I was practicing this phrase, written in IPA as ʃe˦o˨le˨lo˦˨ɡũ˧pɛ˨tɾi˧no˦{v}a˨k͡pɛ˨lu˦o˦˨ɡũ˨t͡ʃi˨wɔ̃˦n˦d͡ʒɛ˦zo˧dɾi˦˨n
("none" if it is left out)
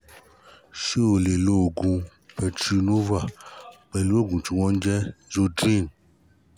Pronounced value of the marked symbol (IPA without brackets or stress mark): v